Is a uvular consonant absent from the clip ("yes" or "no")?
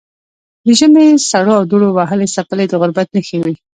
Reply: yes